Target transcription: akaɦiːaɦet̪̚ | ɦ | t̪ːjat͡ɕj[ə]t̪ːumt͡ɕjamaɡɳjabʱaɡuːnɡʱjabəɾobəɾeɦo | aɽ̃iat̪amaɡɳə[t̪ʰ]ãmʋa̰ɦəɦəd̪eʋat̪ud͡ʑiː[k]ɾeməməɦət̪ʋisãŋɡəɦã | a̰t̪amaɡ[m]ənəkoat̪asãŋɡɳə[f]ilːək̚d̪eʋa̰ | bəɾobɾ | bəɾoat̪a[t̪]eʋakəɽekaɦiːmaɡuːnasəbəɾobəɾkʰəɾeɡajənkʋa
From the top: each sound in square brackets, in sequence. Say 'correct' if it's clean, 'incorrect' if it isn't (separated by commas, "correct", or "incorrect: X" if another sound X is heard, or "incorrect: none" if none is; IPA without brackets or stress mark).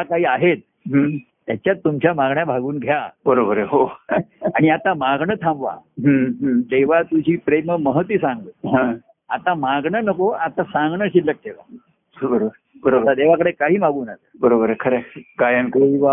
incorrect: a, correct, incorrect: p, incorrect: ɳ, incorrect: ɕ, incorrect: d̪